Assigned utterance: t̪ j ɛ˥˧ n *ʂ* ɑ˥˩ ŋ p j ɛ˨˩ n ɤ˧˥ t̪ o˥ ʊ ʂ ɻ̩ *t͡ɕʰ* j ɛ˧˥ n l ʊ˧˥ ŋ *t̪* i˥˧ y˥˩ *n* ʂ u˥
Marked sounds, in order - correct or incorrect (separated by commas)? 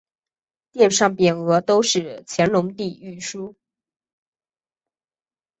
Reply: correct, correct, correct, incorrect